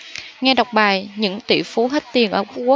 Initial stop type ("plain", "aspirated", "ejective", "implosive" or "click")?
implosive